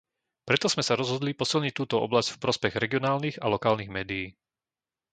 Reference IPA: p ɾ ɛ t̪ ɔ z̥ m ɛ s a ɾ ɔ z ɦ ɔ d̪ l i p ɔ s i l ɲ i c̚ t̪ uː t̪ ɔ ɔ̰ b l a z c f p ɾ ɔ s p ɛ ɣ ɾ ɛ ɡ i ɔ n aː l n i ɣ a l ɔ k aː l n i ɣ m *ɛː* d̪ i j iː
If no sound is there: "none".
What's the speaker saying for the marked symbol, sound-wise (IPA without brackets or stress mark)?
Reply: ɛː